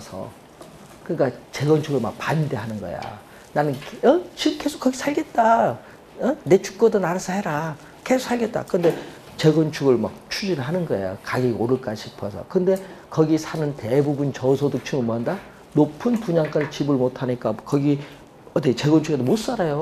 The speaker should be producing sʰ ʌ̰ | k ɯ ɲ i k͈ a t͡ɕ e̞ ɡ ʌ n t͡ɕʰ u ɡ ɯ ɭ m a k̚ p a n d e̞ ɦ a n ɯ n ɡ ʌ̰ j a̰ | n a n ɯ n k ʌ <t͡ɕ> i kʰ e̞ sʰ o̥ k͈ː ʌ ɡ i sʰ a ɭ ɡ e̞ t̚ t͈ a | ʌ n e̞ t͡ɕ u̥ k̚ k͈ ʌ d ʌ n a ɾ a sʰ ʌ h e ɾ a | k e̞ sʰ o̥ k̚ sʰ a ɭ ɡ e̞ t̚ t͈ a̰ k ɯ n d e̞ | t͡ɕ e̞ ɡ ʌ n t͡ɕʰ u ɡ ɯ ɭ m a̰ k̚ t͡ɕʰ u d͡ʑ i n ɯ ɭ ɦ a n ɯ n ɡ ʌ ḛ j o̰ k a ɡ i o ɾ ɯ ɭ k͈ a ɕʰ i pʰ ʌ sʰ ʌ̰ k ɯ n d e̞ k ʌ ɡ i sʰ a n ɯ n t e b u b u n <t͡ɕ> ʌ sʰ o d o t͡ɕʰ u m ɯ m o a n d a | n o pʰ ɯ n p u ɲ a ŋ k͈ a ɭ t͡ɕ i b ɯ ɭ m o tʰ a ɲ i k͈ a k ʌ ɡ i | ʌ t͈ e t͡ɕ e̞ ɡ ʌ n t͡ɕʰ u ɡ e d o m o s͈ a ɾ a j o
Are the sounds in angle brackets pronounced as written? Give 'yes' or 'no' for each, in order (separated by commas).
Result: yes, yes